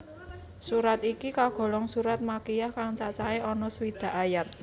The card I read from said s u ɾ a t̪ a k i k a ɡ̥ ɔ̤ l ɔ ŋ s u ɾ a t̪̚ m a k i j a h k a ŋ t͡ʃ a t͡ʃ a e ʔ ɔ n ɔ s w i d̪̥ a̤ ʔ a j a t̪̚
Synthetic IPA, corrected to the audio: s u ɾ a t̪ i k i k a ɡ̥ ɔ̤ l ɔ ŋ s u ɾ a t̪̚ m a k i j a h k a ŋ t͡ʃ a t͡ʃ a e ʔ ɔ n ɔ s w i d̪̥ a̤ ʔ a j a t̪̚

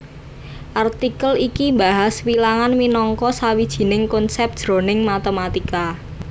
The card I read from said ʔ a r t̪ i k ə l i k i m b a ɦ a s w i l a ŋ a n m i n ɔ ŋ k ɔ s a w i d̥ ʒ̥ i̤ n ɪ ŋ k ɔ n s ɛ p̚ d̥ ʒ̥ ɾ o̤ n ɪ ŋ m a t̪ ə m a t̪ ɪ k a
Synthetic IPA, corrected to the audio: ʔ a r t̪ i k ə l i k i m b a ɦ a s w i l a ŋ a n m i n ɔ ŋ k ɔ s a w i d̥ ʒ̥ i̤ n ɪ ŋ k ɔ n s ɛ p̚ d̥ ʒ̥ ɾ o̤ n ɪ ŋ m a t̪ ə m a t̪ i k a

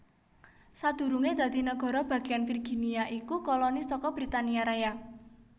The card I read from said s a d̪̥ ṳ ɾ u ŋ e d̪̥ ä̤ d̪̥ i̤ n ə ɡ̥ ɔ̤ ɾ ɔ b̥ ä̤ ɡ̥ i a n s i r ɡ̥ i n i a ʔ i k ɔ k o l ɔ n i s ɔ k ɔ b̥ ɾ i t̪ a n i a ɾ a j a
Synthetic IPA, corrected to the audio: s a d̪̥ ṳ ɾ u ŋ e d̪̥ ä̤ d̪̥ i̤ n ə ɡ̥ ɔ̤ ɾ ɔ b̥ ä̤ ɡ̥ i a n f i r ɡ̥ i n i a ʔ i k u k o l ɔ n i s ɔ k ɔ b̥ ɾ i t̪ a n i a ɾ a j a

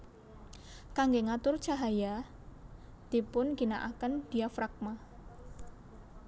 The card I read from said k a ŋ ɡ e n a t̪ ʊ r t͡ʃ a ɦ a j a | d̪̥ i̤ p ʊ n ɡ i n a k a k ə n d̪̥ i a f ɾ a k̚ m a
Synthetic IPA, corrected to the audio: k a ŋ ɡ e ŋ a t̪ ʊ r t͡ʃ a ɦ a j a | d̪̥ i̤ p ʊ n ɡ i n a ʔ a k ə n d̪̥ i a f ɾ a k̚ m a

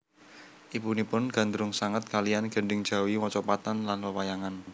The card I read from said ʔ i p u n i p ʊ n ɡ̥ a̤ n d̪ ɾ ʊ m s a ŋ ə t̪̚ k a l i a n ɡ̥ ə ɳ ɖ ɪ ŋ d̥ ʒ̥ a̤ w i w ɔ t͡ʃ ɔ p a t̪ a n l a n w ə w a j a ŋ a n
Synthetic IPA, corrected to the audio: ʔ i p u n i p ʊ n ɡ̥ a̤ n d̪ ɾ ʊ ŋ s a ŋ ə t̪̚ k a l i a n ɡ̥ ə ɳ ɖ ɪ ŋ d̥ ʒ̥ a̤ w i w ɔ t͡ʃ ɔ p a t̪ a n l a n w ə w a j a ŋ a n

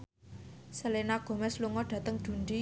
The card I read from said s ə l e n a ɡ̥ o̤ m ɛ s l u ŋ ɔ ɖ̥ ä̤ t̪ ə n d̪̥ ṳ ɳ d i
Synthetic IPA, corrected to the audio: s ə l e n a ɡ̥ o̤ m ɛ s l u ŋ ɔ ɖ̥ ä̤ t̪ ə ŋ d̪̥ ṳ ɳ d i

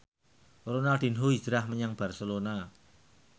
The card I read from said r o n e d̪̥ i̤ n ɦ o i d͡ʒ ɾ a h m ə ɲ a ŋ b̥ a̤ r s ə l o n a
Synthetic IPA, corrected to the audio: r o n a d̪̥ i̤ n ɦ o i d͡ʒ ɾ a h m ə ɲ a ŋ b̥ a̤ r s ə l o n a

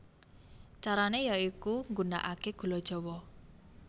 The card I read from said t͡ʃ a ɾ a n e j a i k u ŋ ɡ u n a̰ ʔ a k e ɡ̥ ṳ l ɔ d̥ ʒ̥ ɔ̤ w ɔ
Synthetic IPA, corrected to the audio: t͡ʃ a ɾ a n e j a i k u ŋ ɡ u n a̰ ʔ a k e ɡ̥ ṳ l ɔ d̥ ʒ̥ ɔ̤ w ɔ

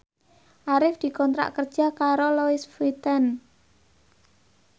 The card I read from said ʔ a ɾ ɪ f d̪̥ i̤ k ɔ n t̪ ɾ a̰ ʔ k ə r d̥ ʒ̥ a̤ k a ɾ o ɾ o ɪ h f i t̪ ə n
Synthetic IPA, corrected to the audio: ʔ a ɾ ɪ f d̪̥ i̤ k ɔ n t̪ ɾ a̰ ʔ k ə r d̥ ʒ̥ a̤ k a ɾ o l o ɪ s f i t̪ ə n

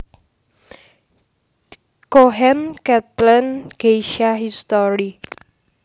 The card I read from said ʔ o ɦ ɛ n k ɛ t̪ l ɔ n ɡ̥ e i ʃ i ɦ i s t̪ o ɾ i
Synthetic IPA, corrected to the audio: k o ɦ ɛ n k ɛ t̪ l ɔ n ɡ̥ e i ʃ a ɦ i s t̪ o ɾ i

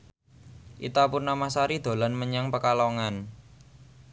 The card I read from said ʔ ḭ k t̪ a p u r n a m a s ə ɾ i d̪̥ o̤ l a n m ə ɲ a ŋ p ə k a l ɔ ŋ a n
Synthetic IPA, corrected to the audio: ʔ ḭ t̪ a p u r n a m a s a ɾ i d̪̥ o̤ l a n m ə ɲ a ŋ p ə k a l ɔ ŋ a n

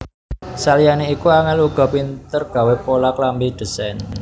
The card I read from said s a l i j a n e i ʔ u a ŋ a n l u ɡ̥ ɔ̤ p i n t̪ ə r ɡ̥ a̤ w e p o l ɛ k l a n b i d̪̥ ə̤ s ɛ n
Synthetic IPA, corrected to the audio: s a l i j a n e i k u a ŋ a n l u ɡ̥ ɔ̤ p i n t̪ ə r ɡ̥ a̤ w e p o l a k l a m b i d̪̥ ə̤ s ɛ n

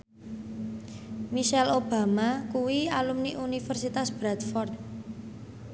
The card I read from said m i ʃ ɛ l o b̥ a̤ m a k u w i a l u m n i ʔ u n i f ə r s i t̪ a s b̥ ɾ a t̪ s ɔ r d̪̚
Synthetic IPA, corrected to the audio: m i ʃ ɛ l o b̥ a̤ m a k u w i a l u m n i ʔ u n i f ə r s i t̪ a s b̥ ɾ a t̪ f ɔ r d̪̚

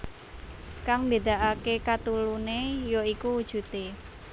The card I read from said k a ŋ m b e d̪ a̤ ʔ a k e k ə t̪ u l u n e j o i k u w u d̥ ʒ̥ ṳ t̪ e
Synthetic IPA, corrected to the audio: k a ŋ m b e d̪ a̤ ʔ a k e k a t̪ u l u n e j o i k u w u d̥ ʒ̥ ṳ t̪ e

